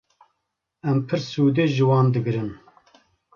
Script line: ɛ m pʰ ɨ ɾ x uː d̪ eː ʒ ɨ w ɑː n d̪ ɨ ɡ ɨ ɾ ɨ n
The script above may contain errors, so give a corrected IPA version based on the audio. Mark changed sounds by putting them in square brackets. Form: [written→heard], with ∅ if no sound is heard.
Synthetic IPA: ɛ m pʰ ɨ ɾ [x→s] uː d̪ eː ʒ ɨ w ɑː n d̪ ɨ ɡ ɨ ɾ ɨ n